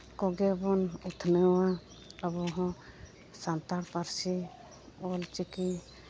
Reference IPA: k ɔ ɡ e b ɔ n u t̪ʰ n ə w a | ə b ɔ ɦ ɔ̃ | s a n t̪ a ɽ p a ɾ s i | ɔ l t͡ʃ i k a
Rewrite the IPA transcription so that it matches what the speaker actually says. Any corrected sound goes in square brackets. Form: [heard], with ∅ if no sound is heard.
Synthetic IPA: k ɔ ɡ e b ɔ n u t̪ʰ n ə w a | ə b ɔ ɦ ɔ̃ | s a n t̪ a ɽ p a ɾ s i | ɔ l t͡ʃ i k [i]